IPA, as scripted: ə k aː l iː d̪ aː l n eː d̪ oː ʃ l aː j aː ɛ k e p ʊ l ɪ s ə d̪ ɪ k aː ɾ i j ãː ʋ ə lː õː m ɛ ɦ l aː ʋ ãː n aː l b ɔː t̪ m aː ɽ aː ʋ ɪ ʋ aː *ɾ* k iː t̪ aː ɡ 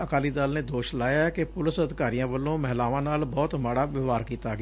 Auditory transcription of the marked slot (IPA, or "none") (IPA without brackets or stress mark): ɾ